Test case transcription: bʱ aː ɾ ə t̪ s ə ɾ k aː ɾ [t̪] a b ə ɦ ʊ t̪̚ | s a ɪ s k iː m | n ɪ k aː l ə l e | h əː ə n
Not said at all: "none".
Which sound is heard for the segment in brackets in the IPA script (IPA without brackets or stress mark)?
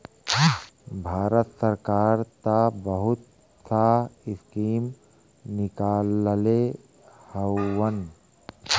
t̪